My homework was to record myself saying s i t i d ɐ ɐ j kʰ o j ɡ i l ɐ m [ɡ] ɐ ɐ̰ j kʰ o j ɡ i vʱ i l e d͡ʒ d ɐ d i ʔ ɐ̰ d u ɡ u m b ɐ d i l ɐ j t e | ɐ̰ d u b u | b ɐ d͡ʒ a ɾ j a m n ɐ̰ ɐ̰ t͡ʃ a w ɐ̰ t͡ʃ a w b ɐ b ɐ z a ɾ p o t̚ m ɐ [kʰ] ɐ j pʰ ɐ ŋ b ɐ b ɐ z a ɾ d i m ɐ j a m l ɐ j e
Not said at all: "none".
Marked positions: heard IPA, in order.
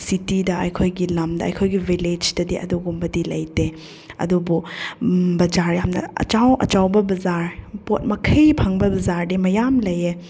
d, kʰ

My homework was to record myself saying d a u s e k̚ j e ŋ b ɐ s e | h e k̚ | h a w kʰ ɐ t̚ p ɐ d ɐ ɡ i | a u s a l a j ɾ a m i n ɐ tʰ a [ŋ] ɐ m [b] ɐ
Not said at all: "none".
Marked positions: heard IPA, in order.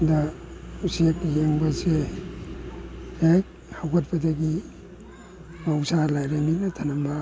n, b

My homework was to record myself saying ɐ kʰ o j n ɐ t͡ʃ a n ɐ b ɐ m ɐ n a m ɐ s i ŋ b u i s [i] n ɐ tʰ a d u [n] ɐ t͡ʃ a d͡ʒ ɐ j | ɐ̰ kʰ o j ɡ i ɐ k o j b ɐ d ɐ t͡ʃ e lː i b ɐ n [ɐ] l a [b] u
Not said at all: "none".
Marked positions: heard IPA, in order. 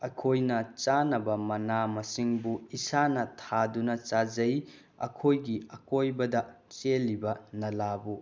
a, n, ɐ, b

